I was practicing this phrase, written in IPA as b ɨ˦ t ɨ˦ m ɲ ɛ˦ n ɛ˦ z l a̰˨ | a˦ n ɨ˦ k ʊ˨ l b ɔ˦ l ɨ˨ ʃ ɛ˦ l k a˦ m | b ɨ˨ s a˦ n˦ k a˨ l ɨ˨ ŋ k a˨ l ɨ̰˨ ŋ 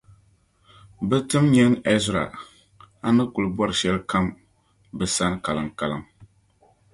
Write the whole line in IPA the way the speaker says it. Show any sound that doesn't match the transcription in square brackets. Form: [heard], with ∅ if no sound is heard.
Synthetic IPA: b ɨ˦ t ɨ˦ m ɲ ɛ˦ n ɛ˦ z [ɾ] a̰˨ | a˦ n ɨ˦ k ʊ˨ l b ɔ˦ [ɾ] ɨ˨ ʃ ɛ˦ l k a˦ m | b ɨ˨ s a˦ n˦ k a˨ l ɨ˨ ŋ k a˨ l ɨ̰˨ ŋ